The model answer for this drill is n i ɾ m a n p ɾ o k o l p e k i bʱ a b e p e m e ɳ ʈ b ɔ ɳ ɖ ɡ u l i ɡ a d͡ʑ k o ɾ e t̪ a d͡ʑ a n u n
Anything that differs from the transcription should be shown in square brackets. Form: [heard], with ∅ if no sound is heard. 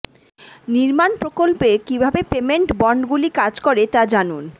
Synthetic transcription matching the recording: n i ɾ m a n p ɾ o k o l p e k i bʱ a b e p e m e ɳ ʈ b ɔ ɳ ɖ ɡ u l i [k] a d͡ʑ k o ɾ e t̪ a d͡ʑ a n u n